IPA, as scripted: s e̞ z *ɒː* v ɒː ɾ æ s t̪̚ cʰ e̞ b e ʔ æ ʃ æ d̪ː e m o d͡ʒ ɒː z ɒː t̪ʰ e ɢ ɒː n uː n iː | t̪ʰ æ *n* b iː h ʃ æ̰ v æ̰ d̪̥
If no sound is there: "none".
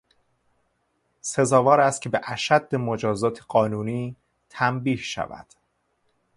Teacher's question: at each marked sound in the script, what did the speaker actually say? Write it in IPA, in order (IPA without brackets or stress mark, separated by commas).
ɒː, m